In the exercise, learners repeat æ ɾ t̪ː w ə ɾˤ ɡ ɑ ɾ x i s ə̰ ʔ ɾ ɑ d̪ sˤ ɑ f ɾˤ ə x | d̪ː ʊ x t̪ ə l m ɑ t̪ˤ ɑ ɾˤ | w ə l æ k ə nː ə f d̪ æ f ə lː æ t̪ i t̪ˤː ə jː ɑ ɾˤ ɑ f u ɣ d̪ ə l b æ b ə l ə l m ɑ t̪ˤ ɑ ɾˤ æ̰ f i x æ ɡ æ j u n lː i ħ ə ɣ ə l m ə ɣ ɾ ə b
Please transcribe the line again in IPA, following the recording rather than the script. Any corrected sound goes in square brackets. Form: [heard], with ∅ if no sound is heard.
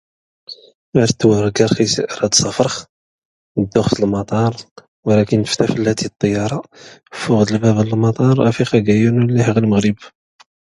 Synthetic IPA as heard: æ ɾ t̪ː w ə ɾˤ ɡ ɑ ɾ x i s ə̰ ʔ ɾ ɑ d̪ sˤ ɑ f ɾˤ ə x | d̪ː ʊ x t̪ ə l m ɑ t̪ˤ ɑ ɾˤ | w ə l æ k ə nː ə f [t̪] æ f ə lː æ t̪ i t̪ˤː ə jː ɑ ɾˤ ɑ f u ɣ d̪ ə l b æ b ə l ə l m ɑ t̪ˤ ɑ ɾˤ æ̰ f i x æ ɡ æ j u n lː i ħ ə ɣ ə l m ə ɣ ɾ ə b